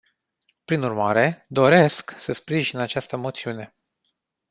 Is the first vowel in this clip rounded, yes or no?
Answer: no